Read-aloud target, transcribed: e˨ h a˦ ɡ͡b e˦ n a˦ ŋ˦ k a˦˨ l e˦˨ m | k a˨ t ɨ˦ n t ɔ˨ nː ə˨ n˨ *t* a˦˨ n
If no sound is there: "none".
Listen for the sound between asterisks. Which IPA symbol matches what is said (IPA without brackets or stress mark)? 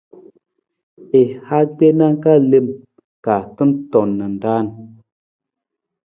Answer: d